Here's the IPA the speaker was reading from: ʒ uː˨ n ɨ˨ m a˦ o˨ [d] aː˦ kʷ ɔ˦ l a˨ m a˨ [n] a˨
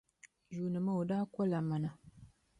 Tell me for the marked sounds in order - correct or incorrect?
correct, correct

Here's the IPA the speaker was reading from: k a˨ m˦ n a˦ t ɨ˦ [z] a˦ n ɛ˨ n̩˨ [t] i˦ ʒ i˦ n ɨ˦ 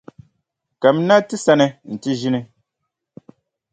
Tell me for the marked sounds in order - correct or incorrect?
incorrect, correct

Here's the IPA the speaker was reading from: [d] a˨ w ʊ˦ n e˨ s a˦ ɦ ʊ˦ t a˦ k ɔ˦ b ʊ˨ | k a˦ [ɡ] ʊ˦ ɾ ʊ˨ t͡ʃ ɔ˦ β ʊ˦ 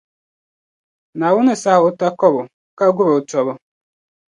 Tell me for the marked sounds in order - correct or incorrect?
incorrect, correct

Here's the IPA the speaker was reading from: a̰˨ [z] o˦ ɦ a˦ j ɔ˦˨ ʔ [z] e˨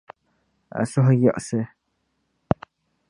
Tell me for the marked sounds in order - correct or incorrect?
incorrect, incorrect

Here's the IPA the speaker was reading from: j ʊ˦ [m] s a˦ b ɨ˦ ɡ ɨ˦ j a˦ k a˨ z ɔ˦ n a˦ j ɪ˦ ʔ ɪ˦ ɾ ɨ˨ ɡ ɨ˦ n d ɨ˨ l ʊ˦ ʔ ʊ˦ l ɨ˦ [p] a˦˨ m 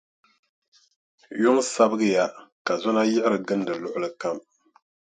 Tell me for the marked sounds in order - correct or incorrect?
incorrect, incorrect

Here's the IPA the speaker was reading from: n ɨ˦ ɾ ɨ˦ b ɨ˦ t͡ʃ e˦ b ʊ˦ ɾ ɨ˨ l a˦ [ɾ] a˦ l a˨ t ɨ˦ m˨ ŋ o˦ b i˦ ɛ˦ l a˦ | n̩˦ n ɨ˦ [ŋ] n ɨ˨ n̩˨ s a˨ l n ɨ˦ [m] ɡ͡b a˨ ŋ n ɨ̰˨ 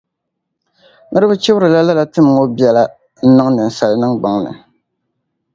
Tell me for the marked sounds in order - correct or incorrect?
incorrect, correct, incorrect

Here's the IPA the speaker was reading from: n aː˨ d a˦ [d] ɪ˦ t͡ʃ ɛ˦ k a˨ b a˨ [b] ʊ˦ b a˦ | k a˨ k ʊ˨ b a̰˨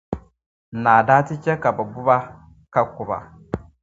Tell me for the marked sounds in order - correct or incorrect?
incorrect, correct

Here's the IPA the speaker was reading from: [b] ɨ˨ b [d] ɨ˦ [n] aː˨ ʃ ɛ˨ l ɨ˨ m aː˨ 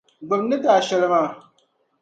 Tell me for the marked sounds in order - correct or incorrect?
incorrect, incorrect, incorrect

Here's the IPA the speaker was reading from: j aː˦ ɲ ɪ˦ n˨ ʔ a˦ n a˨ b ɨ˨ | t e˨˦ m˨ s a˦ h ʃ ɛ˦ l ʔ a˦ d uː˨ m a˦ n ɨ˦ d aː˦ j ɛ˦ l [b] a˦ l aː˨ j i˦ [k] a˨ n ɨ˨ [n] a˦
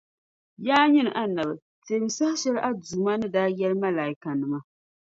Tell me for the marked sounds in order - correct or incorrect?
incorrect, correct, incorrect

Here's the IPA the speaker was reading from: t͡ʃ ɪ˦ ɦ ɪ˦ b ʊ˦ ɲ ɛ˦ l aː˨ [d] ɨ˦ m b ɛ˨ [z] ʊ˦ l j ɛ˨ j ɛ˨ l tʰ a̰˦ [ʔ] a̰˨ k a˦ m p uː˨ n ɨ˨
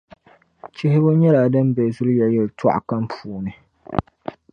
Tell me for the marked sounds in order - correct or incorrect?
correct, correct, correct

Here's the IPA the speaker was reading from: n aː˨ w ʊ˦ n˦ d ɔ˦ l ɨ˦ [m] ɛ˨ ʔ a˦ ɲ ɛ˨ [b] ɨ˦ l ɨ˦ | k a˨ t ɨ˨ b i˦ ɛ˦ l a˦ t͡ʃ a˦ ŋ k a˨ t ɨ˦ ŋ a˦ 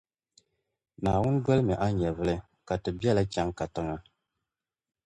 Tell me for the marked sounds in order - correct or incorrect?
correct, incorrect

